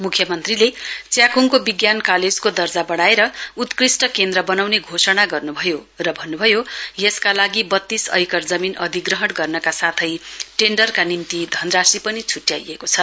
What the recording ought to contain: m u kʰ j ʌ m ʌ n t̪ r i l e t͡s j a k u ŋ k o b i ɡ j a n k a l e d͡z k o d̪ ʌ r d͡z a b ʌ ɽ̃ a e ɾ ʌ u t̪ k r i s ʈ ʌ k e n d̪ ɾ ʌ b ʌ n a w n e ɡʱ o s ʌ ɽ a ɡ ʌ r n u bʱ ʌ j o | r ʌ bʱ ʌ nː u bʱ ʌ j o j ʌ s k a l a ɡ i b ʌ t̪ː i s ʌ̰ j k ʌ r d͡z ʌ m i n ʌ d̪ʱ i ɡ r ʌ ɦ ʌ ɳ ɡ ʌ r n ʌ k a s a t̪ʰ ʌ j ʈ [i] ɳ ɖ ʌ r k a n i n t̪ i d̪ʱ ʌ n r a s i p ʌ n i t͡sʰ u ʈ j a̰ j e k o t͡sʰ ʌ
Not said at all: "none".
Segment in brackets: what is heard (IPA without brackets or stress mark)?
e